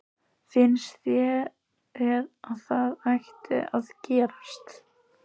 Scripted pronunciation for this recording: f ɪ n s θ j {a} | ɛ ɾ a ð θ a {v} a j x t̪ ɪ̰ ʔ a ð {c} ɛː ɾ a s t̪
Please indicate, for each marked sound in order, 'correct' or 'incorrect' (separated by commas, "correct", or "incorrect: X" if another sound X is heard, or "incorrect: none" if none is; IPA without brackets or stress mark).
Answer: incorrect: ɛ, incorrect: ð, correct